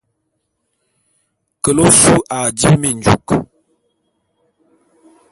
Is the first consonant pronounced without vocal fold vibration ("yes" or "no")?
yes